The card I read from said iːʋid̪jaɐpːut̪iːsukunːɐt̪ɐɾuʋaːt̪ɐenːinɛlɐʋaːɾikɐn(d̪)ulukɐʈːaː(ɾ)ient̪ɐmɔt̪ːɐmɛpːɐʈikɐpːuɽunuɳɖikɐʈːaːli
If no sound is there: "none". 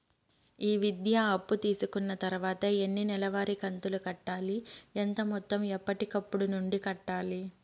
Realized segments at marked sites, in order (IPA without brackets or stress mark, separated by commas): t̪, l